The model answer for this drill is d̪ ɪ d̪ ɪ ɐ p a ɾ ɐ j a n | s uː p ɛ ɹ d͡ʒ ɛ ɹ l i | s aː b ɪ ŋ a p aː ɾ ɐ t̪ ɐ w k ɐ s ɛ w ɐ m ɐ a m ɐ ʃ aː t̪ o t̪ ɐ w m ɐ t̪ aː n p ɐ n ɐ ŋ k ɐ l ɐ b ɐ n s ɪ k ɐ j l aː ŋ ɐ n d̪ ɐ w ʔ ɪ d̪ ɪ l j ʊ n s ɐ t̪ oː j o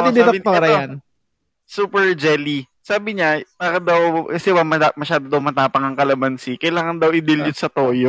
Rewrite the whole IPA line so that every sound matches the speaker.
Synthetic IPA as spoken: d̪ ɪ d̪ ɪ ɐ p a ɾ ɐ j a n | s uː p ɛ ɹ d͡ʒ ɛ l i | s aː b ɪ ɲ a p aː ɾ ɐ d̪ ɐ w k ɐ s ɛ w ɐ m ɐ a m ɐ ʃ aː d̪ o d̪ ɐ w m ɐ t̪ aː p ɐ ŋ ɐ ŋ k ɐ l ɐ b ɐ n s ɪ k ɐ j l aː ŋ ɐ n d̪ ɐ w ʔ ɪ d̪ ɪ l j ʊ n s ɐ t̪ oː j o